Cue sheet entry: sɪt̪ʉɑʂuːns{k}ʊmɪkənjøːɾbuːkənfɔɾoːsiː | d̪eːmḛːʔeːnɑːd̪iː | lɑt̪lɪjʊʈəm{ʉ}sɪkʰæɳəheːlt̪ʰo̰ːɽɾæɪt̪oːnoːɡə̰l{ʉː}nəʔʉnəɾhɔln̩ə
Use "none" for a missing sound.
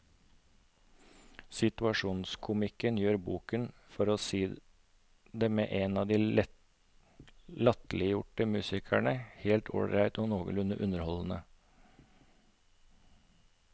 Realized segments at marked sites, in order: kʰ, ʉː, ʉ

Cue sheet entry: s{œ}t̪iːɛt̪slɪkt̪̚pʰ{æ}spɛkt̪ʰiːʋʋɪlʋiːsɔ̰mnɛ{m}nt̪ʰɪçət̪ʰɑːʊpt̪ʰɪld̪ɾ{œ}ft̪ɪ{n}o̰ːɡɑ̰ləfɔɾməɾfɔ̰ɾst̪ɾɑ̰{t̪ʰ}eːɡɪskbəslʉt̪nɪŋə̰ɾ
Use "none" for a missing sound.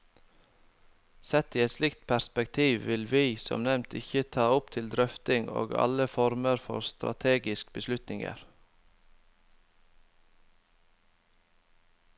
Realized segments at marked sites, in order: ɛ, æ, m, œ, ŋ, t̪ʰ

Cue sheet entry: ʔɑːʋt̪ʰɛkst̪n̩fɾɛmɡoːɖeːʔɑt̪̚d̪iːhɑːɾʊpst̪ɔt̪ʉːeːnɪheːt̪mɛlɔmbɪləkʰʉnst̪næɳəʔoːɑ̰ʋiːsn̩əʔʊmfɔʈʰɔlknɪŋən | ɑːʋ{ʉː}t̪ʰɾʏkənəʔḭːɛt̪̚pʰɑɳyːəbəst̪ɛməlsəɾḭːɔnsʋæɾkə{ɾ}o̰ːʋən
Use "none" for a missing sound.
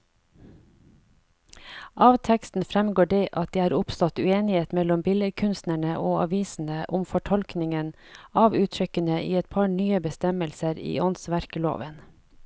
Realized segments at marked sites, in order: ʉː, l

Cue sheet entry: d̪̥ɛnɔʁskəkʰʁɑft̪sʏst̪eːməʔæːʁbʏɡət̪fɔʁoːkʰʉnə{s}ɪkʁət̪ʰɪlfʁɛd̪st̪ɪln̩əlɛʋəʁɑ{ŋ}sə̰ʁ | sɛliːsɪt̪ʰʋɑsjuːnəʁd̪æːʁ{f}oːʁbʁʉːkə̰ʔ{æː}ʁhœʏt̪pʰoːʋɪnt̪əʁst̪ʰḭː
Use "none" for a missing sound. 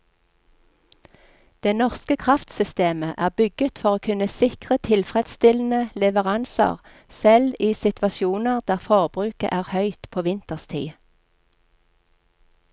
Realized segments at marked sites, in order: s, n, f, æː

